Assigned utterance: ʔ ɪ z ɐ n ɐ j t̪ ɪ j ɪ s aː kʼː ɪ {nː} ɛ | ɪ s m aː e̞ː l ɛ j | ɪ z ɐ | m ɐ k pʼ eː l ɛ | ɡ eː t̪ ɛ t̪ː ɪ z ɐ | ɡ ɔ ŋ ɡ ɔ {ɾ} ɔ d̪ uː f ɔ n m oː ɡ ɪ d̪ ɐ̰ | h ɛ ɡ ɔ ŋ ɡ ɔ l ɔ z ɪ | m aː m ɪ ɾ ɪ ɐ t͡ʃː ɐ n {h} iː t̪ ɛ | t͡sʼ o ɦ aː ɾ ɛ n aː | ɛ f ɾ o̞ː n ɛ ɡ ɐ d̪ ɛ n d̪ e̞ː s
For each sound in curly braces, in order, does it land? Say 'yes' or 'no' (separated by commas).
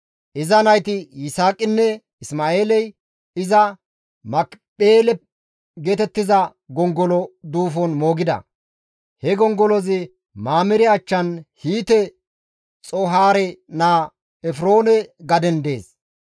yes, no, yes